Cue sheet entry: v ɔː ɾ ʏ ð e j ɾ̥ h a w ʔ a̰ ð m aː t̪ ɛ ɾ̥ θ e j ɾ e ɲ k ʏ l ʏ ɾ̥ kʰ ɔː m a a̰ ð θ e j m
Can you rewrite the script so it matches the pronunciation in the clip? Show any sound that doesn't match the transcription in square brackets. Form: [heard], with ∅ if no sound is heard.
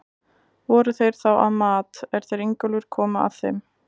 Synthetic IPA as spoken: v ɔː ɾ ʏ [θ] e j ɾ̥ [θ] a w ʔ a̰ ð m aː t̪ ɛ ɾ̥ θ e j ɾ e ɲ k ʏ l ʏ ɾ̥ kʰ ɔː m a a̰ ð θ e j m